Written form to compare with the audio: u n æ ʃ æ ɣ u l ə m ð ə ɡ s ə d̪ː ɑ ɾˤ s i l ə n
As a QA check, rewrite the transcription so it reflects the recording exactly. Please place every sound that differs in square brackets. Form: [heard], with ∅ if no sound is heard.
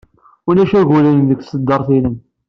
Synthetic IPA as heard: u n æ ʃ æ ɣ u l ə [n] ð ə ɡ s ə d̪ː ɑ ɾˤ [θ] i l ə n